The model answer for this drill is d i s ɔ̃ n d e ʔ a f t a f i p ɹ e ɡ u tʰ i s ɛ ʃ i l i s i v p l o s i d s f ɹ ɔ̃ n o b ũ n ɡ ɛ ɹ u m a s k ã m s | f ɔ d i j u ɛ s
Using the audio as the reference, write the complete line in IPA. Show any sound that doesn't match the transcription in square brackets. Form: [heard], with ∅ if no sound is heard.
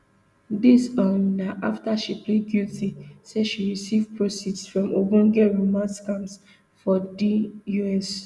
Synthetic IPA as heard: d i s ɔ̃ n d [a] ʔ a f t a [ʃ] i p [l] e ɡ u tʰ i s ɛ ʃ i [ɹ] i s i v p [ɹ] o s i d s f ɹ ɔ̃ [m] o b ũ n ɡ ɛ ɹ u m a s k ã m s | f ɔ d i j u ɛ s